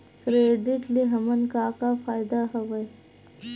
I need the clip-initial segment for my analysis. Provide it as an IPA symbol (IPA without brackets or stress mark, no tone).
k